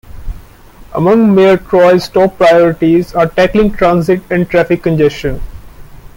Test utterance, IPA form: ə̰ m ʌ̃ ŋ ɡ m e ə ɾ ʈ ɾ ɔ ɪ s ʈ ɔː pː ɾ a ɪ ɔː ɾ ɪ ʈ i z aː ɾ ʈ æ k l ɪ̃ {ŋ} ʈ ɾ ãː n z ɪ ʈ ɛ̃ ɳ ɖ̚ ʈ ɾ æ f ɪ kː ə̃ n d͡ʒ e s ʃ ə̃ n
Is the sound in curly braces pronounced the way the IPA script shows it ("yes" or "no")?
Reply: yes